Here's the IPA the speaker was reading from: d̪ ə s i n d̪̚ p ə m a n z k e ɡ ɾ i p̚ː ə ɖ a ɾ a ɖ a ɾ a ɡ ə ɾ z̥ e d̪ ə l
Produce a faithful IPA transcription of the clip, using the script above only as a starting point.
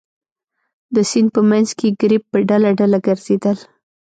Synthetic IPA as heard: d̪ ə s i n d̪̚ p ə m a n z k e ɡ ɾ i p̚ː ə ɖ a l a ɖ a l a ɡ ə ɾ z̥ e d̪ ə l